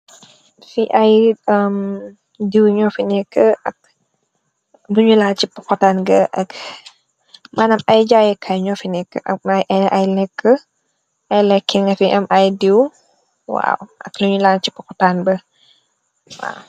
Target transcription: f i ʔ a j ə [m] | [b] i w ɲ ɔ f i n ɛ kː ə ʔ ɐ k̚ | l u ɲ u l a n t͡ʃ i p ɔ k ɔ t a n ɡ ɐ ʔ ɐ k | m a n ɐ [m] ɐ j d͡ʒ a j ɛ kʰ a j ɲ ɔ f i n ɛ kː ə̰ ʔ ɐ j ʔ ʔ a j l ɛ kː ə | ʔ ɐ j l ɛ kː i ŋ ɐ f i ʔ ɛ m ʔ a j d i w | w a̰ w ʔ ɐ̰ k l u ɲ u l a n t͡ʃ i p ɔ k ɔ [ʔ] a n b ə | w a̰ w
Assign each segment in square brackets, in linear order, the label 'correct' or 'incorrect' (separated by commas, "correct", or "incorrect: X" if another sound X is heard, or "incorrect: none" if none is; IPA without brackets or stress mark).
correct, incorrect: d, correct, incorrect: t